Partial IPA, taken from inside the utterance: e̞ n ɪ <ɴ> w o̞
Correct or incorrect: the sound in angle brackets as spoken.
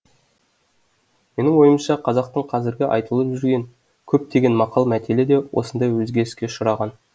incorrect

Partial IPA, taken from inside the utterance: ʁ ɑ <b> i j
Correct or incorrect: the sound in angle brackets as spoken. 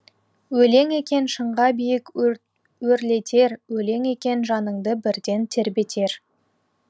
correct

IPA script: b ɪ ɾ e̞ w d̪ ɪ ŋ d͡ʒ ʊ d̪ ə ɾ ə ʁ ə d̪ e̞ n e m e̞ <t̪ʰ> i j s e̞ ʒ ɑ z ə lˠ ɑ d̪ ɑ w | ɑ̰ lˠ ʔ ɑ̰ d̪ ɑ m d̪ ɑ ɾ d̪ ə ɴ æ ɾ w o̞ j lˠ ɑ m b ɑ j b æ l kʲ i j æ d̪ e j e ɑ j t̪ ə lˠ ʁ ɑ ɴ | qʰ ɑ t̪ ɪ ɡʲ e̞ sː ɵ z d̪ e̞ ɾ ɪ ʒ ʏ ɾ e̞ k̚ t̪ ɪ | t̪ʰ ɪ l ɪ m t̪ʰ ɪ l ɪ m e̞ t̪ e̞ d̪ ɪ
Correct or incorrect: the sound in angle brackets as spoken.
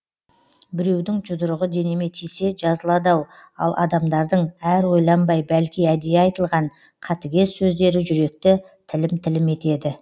correct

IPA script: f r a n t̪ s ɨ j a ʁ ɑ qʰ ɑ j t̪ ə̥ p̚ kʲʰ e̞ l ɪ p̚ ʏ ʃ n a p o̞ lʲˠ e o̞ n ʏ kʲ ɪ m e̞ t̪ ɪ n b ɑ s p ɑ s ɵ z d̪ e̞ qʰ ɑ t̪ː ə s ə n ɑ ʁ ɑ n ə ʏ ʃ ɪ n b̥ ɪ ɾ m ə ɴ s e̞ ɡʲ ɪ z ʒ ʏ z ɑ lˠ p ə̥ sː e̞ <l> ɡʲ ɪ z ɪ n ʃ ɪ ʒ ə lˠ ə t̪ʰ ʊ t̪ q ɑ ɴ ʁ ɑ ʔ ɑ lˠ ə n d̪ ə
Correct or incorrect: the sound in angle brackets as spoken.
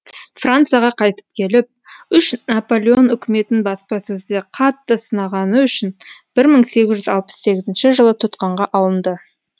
incorrect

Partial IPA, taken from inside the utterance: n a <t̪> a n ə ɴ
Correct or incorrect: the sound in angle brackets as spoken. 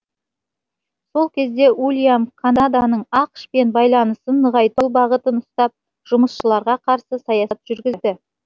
incorrect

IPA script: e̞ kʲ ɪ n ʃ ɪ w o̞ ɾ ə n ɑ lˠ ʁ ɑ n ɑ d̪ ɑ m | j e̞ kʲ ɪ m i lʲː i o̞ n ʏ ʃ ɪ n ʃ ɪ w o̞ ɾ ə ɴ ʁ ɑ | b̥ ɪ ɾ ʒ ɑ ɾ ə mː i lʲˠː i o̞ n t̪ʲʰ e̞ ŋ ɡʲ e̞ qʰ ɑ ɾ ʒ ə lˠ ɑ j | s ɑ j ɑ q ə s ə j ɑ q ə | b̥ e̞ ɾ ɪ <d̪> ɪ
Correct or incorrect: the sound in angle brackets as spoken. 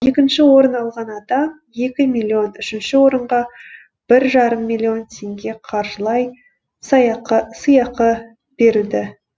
correct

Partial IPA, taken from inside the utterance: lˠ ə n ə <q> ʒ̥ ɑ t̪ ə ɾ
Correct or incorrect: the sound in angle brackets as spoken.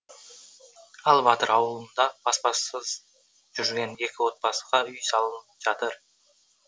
incorrect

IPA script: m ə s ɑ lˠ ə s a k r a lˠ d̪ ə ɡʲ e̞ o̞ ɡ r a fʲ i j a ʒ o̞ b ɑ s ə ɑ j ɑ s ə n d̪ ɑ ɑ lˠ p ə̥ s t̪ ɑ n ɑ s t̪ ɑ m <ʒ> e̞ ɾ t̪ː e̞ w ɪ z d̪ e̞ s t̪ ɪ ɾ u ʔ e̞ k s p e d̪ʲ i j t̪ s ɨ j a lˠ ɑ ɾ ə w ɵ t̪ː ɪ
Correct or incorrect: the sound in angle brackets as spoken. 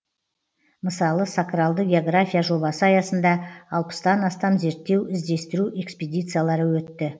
incorrect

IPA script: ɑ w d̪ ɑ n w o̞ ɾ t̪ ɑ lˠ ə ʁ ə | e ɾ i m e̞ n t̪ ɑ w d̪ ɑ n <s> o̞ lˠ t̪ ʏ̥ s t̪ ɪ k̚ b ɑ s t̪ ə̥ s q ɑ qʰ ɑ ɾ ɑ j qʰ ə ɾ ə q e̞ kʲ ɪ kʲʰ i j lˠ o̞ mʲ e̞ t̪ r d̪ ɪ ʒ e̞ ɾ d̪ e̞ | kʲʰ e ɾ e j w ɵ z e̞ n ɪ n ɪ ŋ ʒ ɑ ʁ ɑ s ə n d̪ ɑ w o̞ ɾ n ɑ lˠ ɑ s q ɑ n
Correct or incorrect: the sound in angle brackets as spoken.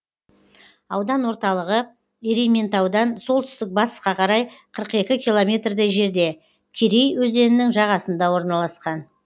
correct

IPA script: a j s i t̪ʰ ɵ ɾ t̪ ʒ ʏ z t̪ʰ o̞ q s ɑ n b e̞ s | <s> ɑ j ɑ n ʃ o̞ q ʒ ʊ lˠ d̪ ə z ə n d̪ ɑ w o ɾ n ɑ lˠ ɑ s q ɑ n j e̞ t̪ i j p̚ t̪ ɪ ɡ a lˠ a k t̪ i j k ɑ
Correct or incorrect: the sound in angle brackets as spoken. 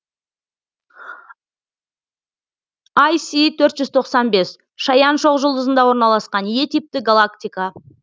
incorrect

